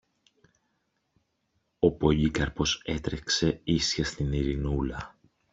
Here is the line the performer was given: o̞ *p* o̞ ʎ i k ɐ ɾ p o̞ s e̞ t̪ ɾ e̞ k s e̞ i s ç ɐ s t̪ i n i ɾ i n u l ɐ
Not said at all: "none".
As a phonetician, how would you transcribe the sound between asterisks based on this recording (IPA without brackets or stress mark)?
p